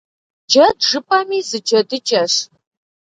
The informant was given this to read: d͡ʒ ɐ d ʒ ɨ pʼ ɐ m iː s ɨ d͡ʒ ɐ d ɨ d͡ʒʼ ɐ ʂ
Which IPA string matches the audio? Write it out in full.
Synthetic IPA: d͡ʒ ɐ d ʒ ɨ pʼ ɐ m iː z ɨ d͡ʒ ɐ d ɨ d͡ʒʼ ɐ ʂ